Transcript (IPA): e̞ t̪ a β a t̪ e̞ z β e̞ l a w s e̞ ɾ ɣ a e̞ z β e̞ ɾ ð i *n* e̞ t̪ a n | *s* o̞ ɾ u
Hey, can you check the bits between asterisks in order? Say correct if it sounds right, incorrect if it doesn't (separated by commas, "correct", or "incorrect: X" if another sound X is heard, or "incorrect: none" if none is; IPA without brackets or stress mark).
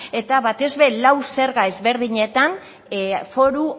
incorrect: ɲ, incorrect: f